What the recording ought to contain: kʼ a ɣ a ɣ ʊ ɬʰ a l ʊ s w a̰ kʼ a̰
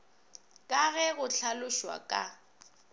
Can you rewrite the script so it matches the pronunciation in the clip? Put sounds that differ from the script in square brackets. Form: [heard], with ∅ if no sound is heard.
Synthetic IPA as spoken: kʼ a ɣ [ɛ] ɣ ʊ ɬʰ a l ʊ [ʃ] w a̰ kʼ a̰